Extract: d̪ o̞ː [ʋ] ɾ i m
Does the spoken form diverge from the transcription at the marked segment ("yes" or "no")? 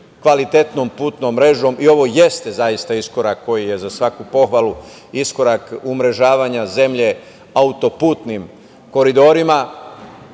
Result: yes